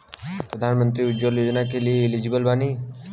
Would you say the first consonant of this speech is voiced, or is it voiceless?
voiceless